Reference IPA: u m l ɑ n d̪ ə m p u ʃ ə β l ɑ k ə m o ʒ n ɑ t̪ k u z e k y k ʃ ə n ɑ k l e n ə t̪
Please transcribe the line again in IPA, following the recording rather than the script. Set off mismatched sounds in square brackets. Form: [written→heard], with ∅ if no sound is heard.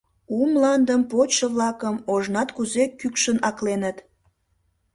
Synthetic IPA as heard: u m l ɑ n d̪ ə m p [u→o] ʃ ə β l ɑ k ə m o ʒ n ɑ t̪ k u z e k y k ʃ ə n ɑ k l e n ə t̪